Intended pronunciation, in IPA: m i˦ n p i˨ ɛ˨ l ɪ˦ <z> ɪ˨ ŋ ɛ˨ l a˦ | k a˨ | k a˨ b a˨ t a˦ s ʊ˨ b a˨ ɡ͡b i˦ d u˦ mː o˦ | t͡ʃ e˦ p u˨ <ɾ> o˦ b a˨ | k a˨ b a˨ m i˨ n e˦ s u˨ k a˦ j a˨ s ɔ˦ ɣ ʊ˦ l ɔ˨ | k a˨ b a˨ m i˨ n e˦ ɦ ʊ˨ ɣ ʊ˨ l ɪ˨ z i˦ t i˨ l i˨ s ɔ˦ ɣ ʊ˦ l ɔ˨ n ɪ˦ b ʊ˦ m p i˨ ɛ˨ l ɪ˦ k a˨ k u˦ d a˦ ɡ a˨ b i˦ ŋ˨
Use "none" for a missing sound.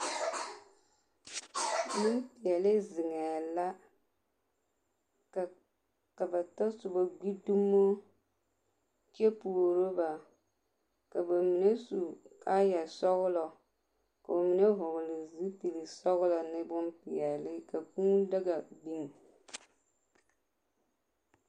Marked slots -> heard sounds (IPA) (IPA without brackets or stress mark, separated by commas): z, ɾ